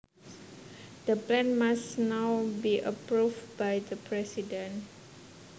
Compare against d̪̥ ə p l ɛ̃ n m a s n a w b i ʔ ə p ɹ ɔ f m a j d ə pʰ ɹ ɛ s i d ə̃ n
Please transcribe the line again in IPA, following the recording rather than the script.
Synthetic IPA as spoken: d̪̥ ə p l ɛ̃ n m a s n a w b i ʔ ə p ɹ u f b a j d ə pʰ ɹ ɛ s i d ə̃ n